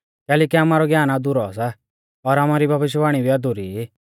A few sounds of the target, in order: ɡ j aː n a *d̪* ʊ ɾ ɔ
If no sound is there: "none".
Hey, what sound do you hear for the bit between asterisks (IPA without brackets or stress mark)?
d̪